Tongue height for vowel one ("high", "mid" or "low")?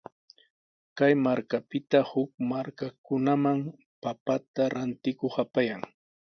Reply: low